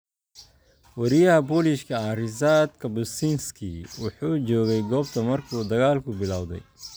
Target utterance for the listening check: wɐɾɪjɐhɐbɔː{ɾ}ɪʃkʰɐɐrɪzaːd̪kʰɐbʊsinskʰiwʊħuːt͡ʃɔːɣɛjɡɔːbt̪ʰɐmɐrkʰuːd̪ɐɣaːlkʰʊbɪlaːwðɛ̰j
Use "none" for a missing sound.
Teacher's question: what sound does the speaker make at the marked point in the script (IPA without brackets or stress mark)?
l